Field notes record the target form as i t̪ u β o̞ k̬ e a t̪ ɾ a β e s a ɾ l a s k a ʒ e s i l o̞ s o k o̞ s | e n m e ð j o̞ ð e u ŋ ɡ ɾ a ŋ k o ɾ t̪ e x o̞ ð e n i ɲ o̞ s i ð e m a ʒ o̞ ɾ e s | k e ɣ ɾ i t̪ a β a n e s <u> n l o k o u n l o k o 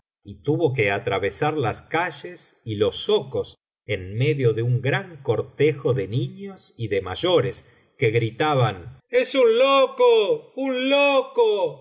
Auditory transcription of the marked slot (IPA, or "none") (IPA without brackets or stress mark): u